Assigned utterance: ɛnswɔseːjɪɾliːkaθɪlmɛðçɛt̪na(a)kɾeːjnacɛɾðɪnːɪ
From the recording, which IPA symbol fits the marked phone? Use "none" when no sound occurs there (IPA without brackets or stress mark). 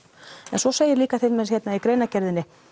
i